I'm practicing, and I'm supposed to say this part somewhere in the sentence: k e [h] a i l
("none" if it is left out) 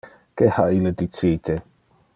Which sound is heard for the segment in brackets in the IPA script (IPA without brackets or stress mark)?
h